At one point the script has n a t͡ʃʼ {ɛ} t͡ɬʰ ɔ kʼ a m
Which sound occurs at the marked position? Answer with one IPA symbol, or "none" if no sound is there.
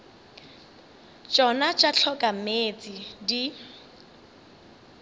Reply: a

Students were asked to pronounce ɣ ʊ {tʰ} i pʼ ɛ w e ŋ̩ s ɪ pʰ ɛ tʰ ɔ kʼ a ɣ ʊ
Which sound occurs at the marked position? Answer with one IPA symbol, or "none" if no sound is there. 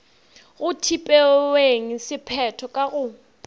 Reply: tʰ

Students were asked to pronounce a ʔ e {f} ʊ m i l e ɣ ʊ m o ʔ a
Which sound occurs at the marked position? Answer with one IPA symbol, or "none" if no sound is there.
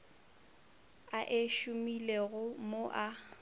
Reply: ʃ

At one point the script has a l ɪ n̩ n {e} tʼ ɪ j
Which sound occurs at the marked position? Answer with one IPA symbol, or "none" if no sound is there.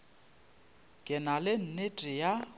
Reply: e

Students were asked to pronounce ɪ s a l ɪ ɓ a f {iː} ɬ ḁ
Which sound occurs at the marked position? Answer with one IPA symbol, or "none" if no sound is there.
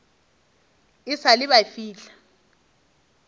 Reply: iː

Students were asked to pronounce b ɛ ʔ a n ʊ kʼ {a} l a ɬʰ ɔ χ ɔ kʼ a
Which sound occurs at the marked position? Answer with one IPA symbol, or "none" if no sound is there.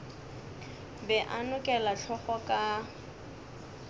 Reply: ɛ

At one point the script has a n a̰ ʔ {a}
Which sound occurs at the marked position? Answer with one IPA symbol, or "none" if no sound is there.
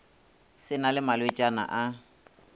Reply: a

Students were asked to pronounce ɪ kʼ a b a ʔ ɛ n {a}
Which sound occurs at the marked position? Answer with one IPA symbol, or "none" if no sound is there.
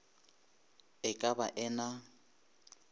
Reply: a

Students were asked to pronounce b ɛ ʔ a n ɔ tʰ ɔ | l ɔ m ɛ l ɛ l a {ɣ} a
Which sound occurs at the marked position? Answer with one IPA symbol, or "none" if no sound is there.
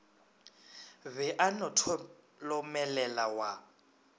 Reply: w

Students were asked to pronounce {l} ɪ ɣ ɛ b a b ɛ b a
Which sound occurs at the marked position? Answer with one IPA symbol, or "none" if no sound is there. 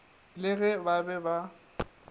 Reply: l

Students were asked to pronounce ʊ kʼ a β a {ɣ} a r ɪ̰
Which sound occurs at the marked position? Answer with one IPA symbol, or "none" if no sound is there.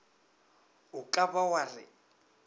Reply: w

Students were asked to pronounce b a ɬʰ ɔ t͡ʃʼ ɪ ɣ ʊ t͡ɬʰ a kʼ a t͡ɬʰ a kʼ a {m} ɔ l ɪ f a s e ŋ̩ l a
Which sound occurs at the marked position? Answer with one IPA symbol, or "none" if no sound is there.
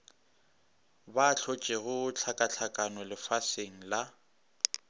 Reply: n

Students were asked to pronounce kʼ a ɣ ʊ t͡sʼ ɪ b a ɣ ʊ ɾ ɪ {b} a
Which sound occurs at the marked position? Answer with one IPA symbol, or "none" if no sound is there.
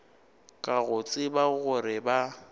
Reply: b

